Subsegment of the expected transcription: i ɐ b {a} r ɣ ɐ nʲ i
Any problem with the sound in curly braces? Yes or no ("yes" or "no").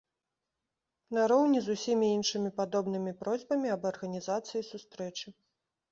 yes